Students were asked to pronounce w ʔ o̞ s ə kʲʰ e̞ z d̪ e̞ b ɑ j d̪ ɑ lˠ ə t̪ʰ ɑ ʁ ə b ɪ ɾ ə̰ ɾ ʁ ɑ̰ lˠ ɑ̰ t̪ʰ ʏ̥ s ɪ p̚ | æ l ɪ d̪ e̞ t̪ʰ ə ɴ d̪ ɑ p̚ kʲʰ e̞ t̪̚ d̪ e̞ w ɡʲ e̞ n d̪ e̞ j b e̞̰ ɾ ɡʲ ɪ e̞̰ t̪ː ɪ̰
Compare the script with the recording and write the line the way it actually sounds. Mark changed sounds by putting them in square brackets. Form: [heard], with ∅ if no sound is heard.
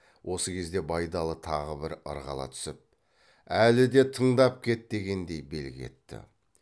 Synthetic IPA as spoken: w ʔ o̞ s ə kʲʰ e̞ z d̪ e̞ b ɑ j d̪ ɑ lˠ ə t̪ʰ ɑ ʁ ə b ɪ ɾ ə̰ ɾ ʁ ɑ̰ lˠ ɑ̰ t̪ʰ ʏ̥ s ɪ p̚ | æ l ɪ d̪ e̞ t̪ʰ ə ɴ d̪ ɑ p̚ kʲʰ e̞ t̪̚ d̪ e̞ [∅] ɡʲ e̞ n d̪ e̞ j b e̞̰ [l] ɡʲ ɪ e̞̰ t̪ː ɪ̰

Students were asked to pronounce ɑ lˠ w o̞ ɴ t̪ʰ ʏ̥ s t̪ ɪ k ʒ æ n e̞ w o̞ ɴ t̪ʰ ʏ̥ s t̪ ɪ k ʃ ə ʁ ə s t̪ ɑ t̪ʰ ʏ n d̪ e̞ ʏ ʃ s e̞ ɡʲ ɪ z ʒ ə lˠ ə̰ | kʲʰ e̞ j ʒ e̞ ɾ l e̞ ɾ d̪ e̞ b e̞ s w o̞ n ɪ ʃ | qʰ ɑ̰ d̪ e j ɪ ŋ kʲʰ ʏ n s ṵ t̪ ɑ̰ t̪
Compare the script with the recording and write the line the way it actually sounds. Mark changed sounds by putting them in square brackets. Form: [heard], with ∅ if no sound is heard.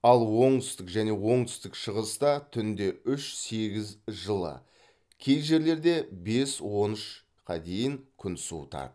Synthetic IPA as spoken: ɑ lˠ w o̞ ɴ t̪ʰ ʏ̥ s t̪ ɪ k ʒ æ n e̞ w o̞ ɴ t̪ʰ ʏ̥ s t̪ ɪ k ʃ ə ʁ ə s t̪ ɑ t̪ʰ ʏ n d̪ e̞ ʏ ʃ s e̞ ɡʲ ɪ z ʒ ə lˠ ə̰ | kʲʰ e̞ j ʒ e̞ ɾ l e̞ ɾ d̪ e̞ b e̞ s w o̞ n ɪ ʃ | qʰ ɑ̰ d̪ e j ɪ ŋ kʲʰ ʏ n s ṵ t̪ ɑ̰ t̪

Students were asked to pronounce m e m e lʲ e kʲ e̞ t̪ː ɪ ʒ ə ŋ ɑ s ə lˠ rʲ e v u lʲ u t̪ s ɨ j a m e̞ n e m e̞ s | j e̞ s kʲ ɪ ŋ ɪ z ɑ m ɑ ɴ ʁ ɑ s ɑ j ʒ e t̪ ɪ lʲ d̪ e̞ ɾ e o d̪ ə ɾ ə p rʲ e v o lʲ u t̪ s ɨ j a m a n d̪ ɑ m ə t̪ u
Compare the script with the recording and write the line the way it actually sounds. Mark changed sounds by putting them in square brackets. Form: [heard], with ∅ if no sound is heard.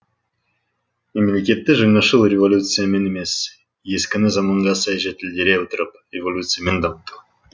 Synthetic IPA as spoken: m e m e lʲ e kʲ e̞ t̪ː ɪ ʒ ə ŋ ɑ [ʃ] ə lˠ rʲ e v [o] lʲ u t̪ s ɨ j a m e̞ n e m e̞ s | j e̞ s kʲ ɪ [n] ɪ z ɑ m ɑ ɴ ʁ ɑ s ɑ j ʒ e t̪ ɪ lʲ d̪ e̞ ɾ e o [t̪] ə ɾ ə p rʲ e v o lʲ u t̪ s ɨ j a m [e] n d̪ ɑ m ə t̪ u

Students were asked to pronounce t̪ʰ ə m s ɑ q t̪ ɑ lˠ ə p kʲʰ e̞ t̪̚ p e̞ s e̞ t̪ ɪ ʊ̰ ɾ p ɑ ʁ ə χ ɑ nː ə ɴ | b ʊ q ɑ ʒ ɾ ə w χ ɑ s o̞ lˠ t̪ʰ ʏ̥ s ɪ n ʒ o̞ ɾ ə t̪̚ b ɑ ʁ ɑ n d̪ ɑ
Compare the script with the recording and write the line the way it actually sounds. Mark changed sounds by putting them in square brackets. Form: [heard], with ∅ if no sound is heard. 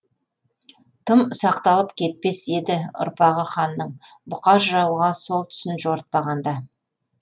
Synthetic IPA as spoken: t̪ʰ ə m s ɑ q t̪ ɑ lˠ ə p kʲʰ e̞ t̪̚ p e̞ s e̞ [d̪] ɪ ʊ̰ ɾ p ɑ ʁ ə χ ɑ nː ə ɴ | b ʊ q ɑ ʒ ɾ [ɑ] w [ʁ] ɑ s o̞ lˠ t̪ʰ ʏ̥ s ɪ n ʒ o̞ ɾ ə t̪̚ [p] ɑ ʁ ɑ n d̪ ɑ

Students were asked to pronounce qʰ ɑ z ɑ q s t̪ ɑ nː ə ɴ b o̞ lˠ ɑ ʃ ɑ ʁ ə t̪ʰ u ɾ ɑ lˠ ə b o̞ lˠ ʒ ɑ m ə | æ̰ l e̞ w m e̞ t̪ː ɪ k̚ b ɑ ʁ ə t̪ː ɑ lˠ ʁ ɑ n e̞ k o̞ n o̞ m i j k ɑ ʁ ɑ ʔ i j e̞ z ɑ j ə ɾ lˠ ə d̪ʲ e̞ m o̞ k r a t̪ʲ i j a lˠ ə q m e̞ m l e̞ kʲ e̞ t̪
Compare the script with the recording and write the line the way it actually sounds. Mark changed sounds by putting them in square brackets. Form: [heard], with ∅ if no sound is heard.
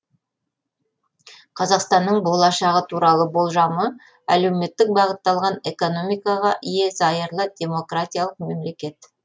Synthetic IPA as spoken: qʰ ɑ z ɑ q s t̪ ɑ nː ə ɴ b o̞ lˠ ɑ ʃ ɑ ʁ ə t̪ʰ u ɾ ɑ lˠ ə b o̞ lˠ ʒ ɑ m ə | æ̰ l e̞ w m e̞ t̪ː ɪ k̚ b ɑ ʁ ə t̪ː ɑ lˠ ʁ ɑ n e̞ k o̞ n o̞ m i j k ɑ ʁ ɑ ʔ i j e̞ z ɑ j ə ɾ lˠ ə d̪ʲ e̞ m o̞ k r a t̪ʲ i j a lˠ ə q m e̞ m l e̞ kʲ e̞ t̪

